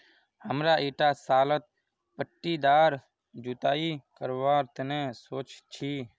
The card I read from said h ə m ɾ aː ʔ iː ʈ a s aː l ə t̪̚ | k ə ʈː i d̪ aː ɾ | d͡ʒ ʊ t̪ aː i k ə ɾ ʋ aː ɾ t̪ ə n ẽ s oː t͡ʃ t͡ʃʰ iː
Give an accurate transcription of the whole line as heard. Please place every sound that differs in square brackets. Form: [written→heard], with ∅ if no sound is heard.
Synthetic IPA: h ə m ɾ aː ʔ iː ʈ a s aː l ə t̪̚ | [k→p] ə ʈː i d̪ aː ɾ | d͡ʒ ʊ t̪ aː i k ə ɾ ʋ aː ɾ t̪ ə n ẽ s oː t͡ʃ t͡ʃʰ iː